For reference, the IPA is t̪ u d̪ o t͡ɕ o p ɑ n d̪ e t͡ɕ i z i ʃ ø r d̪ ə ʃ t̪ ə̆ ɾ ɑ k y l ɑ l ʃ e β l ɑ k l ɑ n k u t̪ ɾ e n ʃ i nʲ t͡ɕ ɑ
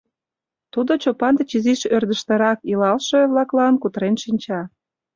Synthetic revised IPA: t̪ u d̪ o t͡ɕ o p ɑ n d̪ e t͡ɕ i z i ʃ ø r d̪ ə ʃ t̪ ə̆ ɾ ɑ k i l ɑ l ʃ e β l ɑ k l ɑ n k u t̪ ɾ e n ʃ i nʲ t͡ɕ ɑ